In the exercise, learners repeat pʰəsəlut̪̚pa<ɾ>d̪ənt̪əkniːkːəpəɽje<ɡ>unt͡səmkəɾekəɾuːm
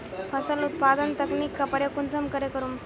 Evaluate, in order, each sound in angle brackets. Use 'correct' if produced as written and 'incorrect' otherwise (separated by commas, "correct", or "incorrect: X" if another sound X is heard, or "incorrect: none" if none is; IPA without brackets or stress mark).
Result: incorrect: none, incorrect: k